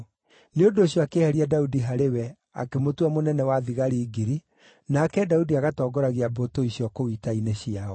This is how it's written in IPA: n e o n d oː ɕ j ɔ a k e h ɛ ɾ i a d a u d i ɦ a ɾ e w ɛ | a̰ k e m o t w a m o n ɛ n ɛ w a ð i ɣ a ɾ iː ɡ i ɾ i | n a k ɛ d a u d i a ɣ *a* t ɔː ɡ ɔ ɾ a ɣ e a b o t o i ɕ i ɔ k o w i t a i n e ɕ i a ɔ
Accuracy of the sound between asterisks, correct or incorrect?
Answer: correct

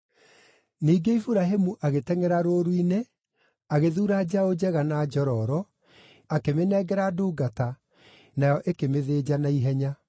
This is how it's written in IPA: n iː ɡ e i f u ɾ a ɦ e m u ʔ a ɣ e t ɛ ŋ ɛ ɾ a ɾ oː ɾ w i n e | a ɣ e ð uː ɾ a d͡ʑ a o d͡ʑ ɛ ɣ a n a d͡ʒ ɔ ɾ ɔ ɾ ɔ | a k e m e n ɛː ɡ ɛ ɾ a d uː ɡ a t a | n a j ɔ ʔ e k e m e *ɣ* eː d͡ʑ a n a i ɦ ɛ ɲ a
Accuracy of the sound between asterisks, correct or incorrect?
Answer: incorrect: ð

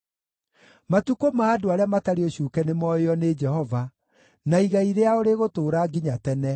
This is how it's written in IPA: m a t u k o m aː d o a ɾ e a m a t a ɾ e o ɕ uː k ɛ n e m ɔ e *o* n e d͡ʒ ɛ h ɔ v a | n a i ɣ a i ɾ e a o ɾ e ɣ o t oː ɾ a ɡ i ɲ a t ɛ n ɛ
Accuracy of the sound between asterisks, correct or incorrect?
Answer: incorrect: ɔ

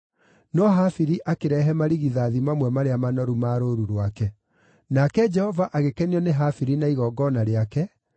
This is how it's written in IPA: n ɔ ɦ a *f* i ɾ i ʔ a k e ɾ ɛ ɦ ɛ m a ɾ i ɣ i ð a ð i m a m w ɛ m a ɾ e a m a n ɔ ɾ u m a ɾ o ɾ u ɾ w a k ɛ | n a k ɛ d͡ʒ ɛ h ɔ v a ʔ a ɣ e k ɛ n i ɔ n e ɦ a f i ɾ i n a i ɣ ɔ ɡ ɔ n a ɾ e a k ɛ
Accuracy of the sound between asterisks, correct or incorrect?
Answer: correct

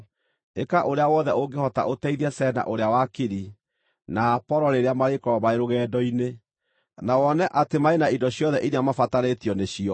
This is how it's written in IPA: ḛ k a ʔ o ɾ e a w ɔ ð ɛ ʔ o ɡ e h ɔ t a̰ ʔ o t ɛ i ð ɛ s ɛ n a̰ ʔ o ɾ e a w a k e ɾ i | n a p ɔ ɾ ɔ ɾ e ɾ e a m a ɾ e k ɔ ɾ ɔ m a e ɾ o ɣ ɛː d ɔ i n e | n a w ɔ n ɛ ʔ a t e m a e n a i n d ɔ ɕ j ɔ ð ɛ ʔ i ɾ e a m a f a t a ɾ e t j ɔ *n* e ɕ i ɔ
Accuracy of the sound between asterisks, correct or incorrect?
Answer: correct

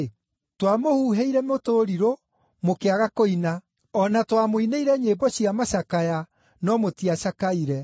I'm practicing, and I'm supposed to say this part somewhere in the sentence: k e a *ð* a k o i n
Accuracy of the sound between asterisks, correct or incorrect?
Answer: incorrect: ɣ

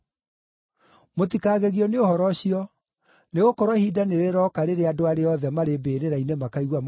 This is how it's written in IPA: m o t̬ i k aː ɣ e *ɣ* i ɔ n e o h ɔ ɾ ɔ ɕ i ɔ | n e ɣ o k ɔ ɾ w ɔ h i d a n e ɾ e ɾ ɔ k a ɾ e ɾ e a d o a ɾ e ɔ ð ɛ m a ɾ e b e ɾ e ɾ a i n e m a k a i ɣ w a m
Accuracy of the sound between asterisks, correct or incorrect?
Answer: correct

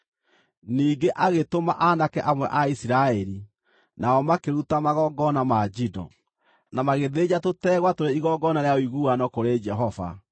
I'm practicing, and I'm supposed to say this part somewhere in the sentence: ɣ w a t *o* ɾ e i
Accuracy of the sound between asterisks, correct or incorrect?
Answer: correct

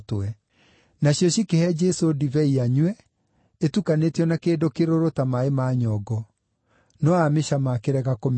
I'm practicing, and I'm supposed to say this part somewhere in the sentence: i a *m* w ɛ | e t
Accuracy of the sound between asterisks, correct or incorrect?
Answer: incorrect: ɲ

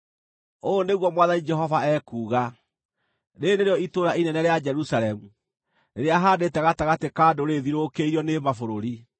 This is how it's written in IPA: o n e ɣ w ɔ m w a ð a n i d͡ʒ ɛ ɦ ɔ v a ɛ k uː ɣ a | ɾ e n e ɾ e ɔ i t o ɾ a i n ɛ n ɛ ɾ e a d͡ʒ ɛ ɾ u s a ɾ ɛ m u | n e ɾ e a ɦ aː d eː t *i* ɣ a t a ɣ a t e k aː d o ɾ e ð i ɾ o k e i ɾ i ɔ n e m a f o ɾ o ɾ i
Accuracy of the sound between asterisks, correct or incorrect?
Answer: incorrect: ɛ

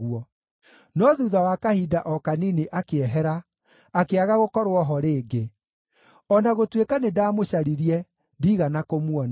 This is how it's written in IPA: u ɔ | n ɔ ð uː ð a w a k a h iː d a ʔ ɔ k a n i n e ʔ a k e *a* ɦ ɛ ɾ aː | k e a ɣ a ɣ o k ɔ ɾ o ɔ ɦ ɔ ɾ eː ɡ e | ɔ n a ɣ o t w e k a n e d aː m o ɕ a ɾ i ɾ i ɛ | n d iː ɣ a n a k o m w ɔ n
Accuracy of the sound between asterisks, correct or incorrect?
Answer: incorrect: ɛ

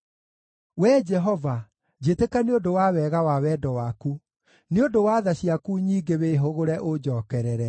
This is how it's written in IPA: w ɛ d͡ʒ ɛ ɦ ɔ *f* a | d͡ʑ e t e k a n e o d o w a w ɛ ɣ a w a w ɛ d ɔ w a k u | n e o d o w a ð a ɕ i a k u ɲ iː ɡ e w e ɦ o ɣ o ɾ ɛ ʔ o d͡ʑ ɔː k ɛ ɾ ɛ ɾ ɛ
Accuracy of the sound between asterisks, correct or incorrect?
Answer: incorrect: v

